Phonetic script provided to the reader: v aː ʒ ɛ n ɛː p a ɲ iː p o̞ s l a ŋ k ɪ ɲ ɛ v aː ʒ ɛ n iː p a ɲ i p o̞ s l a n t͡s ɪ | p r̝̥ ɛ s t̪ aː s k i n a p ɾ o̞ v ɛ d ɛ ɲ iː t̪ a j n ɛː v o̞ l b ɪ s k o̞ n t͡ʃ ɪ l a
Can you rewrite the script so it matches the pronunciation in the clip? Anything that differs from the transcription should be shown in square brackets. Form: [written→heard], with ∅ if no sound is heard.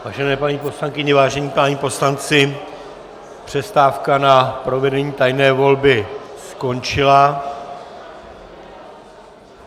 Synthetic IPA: v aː ʒ ɛ n ɛː p a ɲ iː p o̞ s l a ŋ k ɪ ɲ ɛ v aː ʒ ɛ [n→ɲ] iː p a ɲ i p o̞ s l a n t͡s ɪ | p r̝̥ ɛ s t̪ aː [s→f] k [i→a] n a p ɾ o̞ v ɛ d ɛ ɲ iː t̪ a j n ɛː v o̞ l b ɪ s k o̞ n t͡ʃ ɪ l a